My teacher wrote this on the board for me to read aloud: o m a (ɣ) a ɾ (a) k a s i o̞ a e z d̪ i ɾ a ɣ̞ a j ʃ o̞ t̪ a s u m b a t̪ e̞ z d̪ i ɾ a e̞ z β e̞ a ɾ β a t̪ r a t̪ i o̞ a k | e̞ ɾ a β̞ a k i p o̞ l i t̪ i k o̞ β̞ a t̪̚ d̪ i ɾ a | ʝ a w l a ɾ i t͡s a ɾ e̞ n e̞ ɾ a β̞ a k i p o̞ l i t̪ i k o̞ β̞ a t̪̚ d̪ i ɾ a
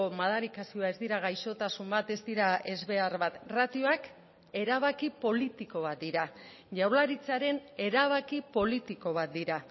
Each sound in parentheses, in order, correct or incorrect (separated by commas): incorrect, incorrect